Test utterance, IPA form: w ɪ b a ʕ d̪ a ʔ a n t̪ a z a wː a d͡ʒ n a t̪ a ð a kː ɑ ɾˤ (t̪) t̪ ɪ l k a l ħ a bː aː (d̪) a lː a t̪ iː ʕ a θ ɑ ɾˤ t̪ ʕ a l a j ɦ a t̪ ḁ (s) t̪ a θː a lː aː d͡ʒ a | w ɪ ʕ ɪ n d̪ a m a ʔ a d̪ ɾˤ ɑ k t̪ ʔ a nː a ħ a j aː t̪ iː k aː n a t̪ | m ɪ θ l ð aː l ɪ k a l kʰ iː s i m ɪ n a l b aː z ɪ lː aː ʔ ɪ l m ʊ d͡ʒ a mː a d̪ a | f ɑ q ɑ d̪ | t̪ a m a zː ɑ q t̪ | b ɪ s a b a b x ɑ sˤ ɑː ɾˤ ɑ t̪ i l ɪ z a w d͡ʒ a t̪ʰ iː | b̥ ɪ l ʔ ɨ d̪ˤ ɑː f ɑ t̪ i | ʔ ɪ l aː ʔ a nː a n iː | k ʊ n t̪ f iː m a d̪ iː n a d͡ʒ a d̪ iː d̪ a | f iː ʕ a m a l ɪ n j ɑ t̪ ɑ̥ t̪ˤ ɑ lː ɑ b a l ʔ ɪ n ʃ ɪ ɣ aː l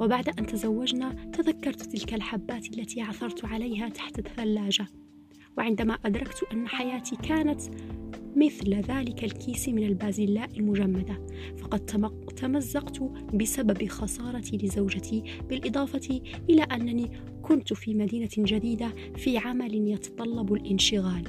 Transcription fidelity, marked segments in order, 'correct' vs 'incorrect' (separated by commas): correct, incorrect, incorrect